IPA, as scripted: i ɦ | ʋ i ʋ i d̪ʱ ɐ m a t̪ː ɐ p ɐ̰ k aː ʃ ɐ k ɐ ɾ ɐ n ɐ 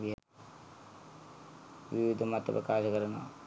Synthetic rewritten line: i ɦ | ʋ i ʋ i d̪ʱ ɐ m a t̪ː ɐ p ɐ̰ k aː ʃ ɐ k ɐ ɾ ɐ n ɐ

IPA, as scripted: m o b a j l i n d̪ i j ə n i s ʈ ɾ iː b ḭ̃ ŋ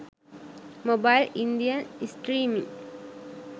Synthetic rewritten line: m o b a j l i n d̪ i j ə n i s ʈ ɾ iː m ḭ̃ ŋ

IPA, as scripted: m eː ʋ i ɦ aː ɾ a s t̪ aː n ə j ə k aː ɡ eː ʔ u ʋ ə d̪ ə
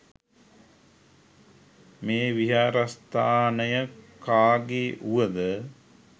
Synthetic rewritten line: m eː ʋ i ɦ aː ɾ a s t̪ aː n ə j ə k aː ɡ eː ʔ u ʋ ə d̪ ə

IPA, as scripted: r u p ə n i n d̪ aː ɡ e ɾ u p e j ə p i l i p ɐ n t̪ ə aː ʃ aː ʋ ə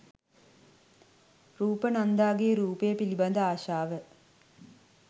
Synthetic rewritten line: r uː p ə n a n d̪ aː ɡ e ɾ uː p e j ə p i l i b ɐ n d̪ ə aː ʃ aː ʋ ə

